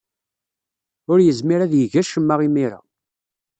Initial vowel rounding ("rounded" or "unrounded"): rounded